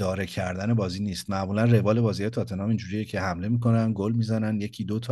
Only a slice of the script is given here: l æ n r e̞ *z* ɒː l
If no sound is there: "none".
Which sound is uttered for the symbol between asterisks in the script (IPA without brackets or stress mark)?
v